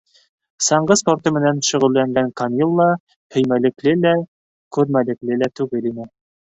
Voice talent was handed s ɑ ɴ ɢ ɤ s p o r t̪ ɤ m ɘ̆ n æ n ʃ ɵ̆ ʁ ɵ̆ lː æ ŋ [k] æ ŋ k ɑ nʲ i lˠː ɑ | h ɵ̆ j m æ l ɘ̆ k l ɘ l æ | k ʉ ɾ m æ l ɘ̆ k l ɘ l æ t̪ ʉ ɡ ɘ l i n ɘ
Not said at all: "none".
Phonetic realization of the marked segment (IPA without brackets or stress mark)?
ɡ